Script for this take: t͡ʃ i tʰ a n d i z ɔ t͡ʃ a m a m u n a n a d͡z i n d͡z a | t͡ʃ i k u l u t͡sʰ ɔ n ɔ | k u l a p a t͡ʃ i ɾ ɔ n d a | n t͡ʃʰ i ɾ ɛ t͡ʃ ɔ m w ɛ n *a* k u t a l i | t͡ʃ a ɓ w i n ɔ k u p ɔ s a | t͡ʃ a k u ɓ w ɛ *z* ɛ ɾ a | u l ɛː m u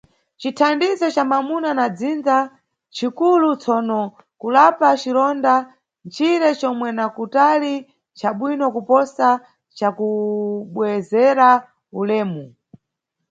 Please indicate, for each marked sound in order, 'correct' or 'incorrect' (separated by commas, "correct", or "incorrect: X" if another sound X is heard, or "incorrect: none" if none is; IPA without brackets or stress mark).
correct, correct